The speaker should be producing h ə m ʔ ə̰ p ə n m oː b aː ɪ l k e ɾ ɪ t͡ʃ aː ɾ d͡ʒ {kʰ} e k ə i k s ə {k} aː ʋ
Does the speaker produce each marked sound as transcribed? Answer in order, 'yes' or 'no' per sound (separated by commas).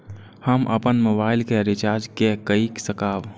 no, yes